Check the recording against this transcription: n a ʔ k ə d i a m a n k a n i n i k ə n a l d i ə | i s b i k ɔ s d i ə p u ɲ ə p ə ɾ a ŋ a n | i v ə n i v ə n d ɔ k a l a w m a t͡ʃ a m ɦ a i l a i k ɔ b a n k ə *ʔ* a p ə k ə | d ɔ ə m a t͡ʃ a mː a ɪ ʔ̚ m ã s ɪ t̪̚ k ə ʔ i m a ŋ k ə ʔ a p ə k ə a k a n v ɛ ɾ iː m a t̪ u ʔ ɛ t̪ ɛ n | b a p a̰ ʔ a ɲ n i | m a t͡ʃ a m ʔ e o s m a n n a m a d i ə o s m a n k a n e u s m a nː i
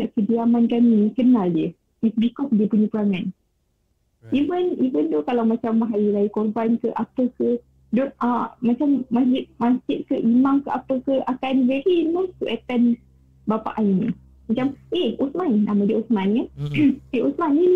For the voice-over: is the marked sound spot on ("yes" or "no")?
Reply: yes